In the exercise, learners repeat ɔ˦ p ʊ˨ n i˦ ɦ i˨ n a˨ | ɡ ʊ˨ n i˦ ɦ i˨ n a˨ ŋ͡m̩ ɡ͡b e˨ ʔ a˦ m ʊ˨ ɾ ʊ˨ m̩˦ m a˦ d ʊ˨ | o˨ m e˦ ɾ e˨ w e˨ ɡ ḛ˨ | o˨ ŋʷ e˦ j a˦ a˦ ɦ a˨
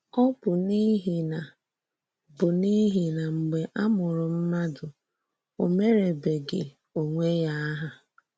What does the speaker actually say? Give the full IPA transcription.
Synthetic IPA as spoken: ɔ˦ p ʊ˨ n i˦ ɦ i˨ n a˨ | b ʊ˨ n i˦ ɦ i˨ n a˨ ŋ͡m̩ ɡ͡b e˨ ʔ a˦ m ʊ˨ ɾ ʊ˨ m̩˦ m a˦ d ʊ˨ | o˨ m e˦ ɾ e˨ b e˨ ɡ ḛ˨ | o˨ ŋʷ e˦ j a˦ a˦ ɦ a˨